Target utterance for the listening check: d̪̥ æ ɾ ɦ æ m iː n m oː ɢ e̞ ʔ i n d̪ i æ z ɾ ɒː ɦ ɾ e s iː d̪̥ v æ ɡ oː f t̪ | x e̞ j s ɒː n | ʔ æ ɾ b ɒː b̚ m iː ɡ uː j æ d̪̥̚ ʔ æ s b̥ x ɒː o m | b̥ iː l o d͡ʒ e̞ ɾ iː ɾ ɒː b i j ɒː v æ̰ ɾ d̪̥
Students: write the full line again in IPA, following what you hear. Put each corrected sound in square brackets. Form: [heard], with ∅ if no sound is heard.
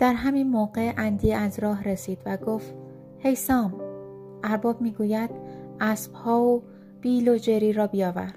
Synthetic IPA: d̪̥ æ ɾ ɦ æ m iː n m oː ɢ e̞ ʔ [æ] n d̪ i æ z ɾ ɒː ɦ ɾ e s iː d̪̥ v æ ɡ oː f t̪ | [h] e̞ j s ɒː [m] | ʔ æ ɾ b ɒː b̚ m iː ɡ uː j æ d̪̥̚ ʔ æ s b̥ [h] ɒː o [∅] | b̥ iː l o d͡ʒ e̞ ɾ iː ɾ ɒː b i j ɒː v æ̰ ɾ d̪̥